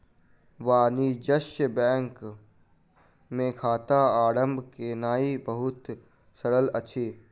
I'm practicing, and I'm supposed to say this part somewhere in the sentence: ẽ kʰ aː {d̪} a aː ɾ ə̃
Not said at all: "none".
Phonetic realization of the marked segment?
t̪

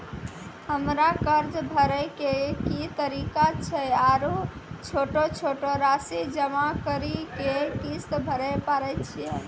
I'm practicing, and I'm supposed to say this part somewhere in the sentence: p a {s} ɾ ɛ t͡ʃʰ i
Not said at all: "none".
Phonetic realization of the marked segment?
none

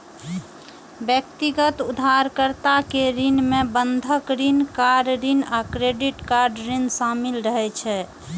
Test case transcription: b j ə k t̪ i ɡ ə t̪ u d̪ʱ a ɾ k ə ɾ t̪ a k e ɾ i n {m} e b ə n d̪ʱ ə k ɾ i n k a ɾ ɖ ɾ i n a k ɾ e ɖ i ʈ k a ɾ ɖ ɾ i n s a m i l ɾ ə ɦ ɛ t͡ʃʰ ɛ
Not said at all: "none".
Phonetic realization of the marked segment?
m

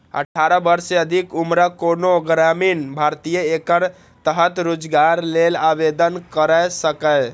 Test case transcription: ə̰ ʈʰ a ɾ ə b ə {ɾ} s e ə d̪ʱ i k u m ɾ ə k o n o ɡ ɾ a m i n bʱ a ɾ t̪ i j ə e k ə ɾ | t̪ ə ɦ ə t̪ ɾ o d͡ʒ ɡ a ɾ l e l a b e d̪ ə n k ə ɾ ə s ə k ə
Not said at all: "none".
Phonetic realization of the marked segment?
ɾ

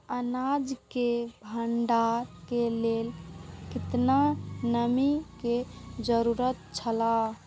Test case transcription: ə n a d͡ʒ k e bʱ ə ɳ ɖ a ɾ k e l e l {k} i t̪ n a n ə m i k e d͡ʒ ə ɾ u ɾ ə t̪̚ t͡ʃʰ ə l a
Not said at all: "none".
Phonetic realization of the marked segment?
k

